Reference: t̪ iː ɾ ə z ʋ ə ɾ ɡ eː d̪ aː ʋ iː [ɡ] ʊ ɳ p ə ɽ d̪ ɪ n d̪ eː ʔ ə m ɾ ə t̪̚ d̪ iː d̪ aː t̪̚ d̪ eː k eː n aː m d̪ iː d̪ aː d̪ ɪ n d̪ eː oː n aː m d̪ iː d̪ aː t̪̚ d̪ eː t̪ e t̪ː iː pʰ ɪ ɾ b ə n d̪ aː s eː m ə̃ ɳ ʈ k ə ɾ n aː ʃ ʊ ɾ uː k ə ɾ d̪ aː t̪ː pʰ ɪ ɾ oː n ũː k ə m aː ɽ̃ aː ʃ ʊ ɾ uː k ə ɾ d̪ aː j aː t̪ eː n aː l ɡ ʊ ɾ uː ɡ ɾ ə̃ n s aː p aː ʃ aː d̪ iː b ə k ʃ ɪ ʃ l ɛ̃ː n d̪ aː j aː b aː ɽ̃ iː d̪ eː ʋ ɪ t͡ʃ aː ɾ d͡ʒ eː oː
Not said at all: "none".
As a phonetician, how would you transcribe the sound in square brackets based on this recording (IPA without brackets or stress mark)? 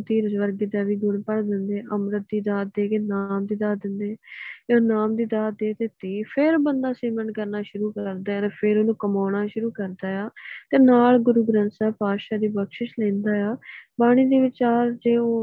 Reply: ɡ